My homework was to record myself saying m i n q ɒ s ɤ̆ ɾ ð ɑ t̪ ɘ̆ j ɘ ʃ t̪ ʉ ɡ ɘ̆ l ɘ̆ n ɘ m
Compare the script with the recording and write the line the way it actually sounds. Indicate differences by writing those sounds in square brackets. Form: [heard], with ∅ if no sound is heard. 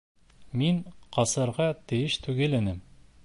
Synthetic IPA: m i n q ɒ s ɤ̆ ɾ [ʁ] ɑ t̪ ɘ̆ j ɘ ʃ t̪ ʉ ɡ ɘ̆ l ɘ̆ n ɘ m